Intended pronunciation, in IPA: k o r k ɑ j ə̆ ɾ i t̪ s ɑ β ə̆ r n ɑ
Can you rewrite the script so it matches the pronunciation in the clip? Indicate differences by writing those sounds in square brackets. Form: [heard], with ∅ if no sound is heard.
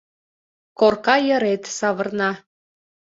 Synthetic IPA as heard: k o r k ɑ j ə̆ ɾ [e] t̪ s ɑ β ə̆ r n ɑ